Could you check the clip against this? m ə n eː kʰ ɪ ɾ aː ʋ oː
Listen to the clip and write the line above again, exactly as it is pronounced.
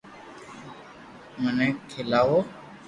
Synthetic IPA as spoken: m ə n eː kʰ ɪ l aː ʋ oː